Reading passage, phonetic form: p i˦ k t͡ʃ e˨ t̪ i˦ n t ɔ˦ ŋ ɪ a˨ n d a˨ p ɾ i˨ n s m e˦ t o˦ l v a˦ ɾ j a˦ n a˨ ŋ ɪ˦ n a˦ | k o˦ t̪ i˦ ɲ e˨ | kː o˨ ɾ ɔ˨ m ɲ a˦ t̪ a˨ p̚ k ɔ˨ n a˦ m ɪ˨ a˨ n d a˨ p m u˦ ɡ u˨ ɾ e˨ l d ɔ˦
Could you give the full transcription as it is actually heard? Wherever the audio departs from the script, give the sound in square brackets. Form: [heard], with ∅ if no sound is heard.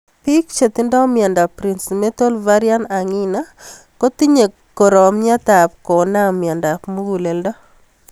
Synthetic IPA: p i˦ k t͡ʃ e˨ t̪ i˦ n [d] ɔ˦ [m] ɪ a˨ n d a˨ p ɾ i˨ n s m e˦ t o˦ l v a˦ ɾ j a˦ n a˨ ŋ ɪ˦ n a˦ | k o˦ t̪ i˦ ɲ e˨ | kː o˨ ɾ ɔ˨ m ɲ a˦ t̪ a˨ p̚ k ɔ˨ n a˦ m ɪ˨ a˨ n d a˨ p m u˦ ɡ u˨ [l] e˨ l d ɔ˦